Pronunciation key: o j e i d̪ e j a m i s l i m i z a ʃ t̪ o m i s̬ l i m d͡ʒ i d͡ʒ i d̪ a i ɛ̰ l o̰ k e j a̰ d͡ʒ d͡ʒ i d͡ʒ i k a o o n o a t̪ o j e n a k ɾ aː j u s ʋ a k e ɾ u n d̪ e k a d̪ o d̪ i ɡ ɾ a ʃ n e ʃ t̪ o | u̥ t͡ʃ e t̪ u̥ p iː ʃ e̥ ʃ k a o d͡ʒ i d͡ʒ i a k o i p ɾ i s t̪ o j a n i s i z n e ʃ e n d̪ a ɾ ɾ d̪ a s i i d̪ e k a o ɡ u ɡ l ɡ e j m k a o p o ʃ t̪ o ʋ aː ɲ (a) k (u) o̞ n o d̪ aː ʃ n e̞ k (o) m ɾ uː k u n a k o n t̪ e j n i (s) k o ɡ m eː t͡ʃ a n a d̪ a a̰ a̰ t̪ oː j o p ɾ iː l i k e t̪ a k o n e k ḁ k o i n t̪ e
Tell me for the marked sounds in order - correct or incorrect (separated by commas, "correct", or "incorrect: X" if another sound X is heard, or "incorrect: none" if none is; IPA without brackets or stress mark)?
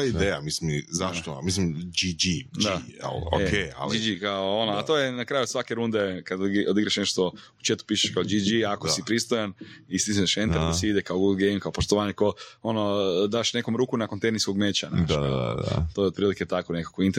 incorrect: e, incorrect: o, correct, correct